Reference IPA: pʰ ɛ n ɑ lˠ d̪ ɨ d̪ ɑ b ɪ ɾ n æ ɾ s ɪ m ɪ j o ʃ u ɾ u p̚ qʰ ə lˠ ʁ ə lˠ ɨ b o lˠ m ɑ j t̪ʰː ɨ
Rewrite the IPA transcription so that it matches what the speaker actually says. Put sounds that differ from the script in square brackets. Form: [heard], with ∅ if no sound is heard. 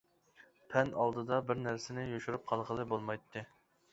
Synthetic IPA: pʰ ɛ n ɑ lˠ d̪ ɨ d̪ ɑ b ɪ ɾ n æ ɾ s ɪ [n] ɪ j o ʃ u ɾ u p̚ qʰ [ɑ] lˠ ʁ ə lˠ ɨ b o lˠ m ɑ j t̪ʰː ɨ